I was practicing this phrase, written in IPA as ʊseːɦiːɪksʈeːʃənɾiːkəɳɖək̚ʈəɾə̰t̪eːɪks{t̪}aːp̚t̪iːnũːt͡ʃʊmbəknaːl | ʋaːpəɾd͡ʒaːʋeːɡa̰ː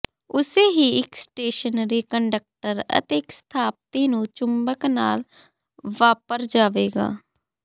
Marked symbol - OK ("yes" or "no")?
no